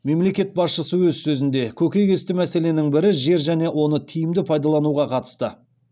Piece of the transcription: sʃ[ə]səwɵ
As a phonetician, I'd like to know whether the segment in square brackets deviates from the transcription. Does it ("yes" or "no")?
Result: no